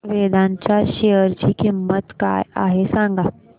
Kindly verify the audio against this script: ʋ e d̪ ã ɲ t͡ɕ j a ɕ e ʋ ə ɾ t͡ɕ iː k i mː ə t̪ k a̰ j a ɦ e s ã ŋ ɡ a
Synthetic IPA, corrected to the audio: ʋ e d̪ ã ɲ t͡ɕ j a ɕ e ə ɾ t͡ɕ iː k i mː ə t̪ k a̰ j a ɦ e s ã ŋ ɡ a